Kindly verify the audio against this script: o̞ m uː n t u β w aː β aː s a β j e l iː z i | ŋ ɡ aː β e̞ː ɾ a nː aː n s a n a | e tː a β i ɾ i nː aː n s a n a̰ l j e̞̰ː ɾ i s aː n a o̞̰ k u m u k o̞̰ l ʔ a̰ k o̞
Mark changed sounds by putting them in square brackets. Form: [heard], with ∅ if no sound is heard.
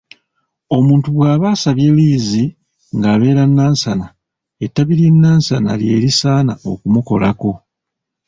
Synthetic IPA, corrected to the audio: o̞ m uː n t u β w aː β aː s a β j e l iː z i | ŋ ɡ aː β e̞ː ɾ a nː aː n s a n a | e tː a β i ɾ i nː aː n s a n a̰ l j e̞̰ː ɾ i s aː n a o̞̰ k u m u k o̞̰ l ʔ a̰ k o̞

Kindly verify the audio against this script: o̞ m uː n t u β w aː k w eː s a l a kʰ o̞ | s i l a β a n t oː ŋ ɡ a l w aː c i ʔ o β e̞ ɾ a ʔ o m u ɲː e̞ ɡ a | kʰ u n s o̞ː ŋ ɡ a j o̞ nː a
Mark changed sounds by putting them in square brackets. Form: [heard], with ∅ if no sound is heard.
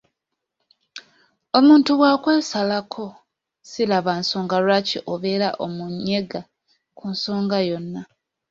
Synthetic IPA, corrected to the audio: o̞ m uː n t u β w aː k w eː s a l a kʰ o̞ | s i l a β a n [s] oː ŋ ɡ a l w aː c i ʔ o β e̞ ɾ a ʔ o m u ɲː e̞ ɡ a | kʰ u n s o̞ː ŋ ɡ a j o̞ nː a

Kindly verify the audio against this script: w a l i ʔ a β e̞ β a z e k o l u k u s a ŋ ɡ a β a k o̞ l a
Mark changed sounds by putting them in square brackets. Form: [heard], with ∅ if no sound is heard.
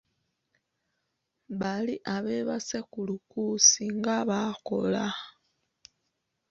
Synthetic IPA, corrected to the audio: [β] a l i ʔ a β e̞ β a [s] e k [u] l u k u s [i] ŋ ɡ a β a k o̞ l a

